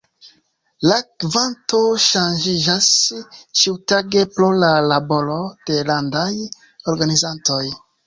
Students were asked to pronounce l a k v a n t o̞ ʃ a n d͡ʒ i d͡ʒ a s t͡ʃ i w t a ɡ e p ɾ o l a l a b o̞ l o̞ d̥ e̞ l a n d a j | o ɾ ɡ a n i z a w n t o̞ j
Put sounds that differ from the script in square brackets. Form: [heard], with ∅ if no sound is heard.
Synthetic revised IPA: l a k v a n t o̞ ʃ a n d͡ʒ i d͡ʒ a s t͡ʃ i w t a ɡ e p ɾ o l a l a b o̞ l o̞ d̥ e̞ l a n d a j | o ɾ ɡ a n i z a [∅] n t o̞ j